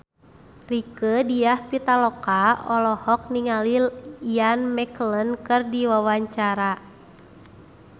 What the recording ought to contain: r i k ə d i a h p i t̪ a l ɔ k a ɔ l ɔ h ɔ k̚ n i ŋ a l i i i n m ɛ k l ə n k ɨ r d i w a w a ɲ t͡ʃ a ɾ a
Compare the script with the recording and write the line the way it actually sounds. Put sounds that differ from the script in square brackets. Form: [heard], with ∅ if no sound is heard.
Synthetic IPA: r i k ə d i a h p i t̪ a l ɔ k a ɔ l ɔ h ɔ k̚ n i ŋ a l i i [a] n m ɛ k l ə n k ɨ r d i w a w a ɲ t͡ʃ a ɾ a